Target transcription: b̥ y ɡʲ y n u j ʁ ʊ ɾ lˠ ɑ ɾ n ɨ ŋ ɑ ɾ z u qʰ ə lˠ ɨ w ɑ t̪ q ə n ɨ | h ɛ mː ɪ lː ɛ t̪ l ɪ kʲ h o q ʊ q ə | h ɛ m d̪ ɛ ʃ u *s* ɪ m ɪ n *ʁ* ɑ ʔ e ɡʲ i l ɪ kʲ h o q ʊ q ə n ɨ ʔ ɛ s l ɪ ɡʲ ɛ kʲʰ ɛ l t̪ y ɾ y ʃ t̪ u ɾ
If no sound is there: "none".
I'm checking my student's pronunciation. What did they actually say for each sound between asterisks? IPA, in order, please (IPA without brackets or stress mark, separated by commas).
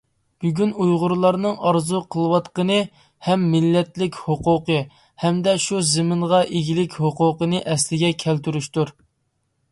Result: z, ʁ